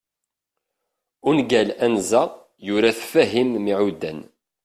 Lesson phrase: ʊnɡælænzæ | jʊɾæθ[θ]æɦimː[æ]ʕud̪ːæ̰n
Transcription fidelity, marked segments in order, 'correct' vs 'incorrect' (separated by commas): incorrect, incorrect